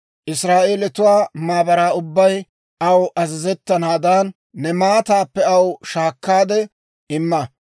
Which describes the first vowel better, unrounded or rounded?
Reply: unrounded